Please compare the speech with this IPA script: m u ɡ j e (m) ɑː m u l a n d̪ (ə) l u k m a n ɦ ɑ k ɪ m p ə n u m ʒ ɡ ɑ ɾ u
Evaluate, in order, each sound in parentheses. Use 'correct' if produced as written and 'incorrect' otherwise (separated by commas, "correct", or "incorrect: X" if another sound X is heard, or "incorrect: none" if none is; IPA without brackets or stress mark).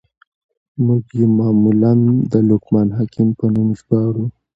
correct, correct